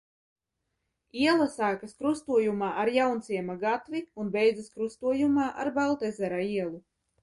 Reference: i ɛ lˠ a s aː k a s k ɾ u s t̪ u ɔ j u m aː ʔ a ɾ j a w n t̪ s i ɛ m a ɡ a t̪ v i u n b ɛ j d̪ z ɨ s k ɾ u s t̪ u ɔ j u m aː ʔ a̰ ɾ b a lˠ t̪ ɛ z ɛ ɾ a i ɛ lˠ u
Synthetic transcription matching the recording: i ɛ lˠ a s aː k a s k ɾ u s t̪ u ɔ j u m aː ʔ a ɾ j a w n t̪ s i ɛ m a ɡ a t̪ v i u n b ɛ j d̪ z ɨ s k ɾ u s t̪ u ɔ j u m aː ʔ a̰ ɾ b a lˠ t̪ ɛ z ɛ ɾ a i ɛ lˠ u